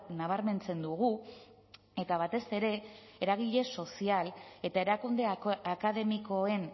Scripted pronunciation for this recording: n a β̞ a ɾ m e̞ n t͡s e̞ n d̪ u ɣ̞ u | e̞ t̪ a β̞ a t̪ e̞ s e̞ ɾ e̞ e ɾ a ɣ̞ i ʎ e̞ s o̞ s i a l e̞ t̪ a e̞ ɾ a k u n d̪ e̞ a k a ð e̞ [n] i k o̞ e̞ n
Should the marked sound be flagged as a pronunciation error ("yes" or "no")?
yes